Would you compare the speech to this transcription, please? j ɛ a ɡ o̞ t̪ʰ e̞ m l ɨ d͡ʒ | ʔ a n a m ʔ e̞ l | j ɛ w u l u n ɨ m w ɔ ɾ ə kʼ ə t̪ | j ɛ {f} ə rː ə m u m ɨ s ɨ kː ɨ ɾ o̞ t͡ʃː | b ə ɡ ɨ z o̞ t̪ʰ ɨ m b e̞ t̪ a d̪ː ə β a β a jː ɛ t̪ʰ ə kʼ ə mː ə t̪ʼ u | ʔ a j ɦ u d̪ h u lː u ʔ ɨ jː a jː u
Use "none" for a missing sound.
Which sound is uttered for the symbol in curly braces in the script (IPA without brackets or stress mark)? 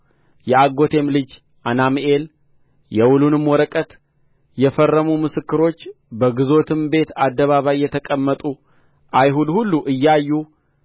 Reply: f